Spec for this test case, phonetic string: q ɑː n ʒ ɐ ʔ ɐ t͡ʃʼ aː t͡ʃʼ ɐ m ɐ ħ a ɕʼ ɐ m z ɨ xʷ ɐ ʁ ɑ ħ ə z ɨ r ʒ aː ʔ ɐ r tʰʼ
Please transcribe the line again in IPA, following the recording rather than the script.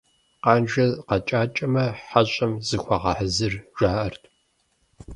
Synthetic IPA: q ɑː n ʒ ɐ q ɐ t͡ʃʼ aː t͡ʃʼ ɐ m ɐ ħ a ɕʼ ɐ m z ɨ xʷ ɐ ʁ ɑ ħ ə z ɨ r ʒ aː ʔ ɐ r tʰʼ